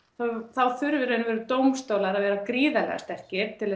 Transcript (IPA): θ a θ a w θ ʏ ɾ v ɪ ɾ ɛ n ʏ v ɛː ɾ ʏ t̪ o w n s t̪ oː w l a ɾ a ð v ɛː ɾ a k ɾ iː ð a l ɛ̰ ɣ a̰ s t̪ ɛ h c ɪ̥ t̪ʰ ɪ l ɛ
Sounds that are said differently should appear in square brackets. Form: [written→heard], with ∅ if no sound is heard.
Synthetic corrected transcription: θ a θ a w θ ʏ ɾ v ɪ ɾ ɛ n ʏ v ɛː ɾ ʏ t̪ o w [n→m] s t̪ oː w l a ɾ a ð v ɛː ɾ a k ɾ iː ð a l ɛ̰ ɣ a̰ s t̪ ɛ h c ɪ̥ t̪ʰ ɪ l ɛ

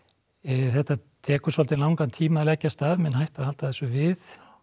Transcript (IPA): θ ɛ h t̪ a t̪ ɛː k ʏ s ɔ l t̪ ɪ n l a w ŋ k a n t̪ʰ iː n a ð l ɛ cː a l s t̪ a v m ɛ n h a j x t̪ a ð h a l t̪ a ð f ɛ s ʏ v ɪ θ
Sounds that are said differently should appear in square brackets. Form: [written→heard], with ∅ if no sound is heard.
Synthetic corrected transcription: θ ɛ h t̪ a [t̪→t̪ʰ] ɛː k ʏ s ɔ l t̪ ɪ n l a w ŋ k a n t̪ʰ iː [n→m] a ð l ɛ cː a [l→∅] s t̪ a v m ɛ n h a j [x→h] t̪ a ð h a l t̪ a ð [f→θ] ɛ s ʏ v ɪ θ

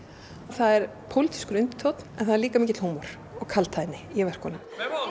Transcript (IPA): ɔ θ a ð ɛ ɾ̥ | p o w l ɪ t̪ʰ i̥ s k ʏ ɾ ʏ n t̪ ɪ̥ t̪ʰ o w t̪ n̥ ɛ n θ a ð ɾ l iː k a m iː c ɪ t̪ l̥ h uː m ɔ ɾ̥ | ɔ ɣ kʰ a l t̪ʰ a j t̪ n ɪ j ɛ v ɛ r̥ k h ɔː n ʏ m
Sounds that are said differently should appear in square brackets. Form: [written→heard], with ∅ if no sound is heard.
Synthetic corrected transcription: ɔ θ a ð ɛ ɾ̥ | [p→pʰ] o w l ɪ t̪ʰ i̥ s k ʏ ɾ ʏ n t̪ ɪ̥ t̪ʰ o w t̪ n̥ ɛ n θ a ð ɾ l iː k a m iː c ɪ t̪ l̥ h uː m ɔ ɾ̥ | ɔ ɣ kʰ a l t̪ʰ a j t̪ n ɪ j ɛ v ɛ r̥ k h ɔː n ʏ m

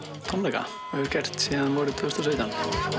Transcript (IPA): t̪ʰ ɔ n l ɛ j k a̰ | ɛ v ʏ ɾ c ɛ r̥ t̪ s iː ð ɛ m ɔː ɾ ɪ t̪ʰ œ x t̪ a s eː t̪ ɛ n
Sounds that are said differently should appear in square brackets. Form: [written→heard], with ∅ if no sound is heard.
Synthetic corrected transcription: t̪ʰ ɔ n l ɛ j k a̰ | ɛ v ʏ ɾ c ɛ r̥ t̪ s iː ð [ɛ→a] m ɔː ɾ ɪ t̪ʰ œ [x→s] t̪ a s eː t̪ [ɛ→a] n

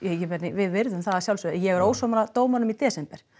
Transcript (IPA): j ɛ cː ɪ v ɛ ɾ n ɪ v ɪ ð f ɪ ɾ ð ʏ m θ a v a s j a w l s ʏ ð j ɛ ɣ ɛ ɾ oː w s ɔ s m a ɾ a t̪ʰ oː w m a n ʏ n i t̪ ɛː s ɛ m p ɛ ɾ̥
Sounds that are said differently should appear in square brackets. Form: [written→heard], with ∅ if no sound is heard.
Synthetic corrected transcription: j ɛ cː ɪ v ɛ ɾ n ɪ v ɪ ð [f→v] ɪ ɾ ð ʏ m θ a [v→ð] a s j a w l s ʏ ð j ɛ ɣ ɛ ɾ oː w s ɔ [s→∅] m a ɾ a [t̪ʰ→t̪] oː w m a n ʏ [n→m] i t̪ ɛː s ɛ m p ɛ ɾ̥

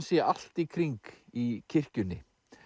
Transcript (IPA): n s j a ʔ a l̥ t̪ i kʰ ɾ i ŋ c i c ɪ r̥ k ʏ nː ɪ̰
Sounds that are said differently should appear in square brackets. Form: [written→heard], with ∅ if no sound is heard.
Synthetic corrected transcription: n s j [a→ɛ] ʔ a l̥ t̪ i kʰ ɾ i ŋ [c→k] i [c→cʰ] ɪ r̥ [k→c] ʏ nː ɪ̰

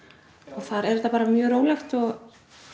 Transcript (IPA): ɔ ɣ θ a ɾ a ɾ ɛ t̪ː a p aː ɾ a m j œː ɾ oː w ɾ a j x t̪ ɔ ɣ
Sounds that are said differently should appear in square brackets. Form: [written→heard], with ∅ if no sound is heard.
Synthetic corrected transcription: ɔ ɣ θ a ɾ [a→ɛ] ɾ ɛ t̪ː a p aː ɾ a m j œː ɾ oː w [ɾ→l] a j x t̪ ɔ ɣ

